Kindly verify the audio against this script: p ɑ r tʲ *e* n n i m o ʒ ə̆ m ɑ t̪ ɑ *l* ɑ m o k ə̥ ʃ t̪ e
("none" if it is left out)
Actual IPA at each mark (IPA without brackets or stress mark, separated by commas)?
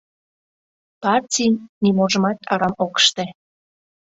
i, ɾ